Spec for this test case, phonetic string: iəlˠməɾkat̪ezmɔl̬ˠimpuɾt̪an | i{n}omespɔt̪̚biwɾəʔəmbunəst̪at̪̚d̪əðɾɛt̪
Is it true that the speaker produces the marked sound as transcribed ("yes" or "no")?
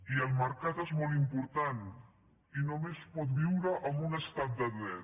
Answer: yes